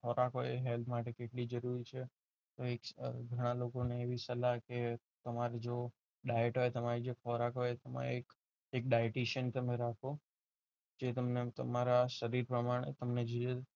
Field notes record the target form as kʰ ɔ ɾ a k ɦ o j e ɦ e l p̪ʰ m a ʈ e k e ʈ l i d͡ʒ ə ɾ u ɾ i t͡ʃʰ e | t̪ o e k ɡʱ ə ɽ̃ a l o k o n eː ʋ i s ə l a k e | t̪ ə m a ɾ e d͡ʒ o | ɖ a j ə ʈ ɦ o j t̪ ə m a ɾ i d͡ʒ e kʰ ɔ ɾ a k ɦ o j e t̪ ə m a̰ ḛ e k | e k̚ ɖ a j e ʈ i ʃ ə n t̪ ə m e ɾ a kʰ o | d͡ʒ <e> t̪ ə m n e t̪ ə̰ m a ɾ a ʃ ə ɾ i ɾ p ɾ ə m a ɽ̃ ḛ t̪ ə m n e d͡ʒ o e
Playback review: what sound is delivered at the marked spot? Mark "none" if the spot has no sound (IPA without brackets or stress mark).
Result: e